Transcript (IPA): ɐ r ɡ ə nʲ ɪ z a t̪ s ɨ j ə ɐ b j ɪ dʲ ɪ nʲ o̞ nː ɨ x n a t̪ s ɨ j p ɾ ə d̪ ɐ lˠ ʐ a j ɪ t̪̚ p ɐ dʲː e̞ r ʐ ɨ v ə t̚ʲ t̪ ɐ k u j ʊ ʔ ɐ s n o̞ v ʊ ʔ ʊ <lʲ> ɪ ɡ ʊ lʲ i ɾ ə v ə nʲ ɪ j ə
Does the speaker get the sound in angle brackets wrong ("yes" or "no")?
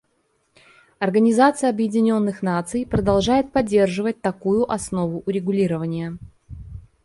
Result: yes